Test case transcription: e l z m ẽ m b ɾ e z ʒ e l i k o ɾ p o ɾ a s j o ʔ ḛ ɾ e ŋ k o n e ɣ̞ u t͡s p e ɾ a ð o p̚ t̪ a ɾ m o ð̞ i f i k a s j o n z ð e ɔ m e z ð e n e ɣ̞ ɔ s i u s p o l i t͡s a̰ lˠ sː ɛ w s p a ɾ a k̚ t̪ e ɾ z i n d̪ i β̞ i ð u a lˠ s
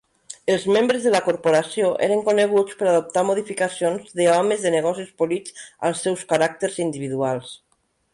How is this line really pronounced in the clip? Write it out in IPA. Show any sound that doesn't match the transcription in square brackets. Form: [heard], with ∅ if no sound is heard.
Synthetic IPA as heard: e l z m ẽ m b ɾ e z [ð] e l [a] k o ɾ p o ɾ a s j o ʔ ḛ ɾ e ŋ k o n e ɣ̞ u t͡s p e ɾ a ð o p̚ t̪ a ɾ m o ð̞ i f i k a s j o n z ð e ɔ m e z ð e n e ɣ̞ ɔ s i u s p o l i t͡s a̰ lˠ sː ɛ w s [k] a ɾ a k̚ t̪ e ɾ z i n d̪ i β̞ i ð u a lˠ s